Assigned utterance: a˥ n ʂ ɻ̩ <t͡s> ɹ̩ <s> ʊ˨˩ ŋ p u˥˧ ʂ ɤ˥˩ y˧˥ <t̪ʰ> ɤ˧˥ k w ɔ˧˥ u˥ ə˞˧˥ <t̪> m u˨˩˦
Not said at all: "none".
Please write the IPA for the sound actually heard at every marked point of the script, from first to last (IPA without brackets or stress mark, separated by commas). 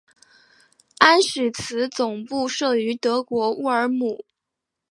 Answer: t͡sʰ, t͡s, t̪, none